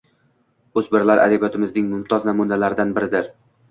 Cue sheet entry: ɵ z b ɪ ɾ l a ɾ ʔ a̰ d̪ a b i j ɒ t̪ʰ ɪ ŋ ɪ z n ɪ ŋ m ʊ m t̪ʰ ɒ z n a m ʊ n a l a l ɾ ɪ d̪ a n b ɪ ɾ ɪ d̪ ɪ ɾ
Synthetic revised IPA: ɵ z b ɪ ɾ l a ɾ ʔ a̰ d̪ a b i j ɒ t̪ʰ ɪ m ɪ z n ɪ ŋ m ʊ m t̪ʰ ɒ z n a m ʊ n a l a ɾ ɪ d̪ a n b ɪ ɾ ɪ d̪ ɪ ɾ